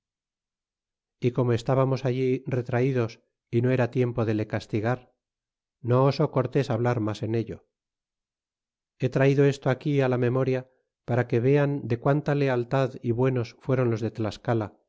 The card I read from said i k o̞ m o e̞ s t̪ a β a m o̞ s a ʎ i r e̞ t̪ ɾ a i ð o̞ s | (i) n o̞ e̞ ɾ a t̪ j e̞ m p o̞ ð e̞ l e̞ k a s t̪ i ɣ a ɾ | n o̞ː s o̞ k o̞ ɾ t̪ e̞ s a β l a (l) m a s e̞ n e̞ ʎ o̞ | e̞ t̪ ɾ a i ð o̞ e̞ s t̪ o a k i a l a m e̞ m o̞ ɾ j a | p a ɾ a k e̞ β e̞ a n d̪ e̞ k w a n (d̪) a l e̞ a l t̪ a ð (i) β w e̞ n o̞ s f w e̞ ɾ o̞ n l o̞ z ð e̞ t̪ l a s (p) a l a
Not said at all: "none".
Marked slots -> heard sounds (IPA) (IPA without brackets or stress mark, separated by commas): i, ɾ, t̪, i, k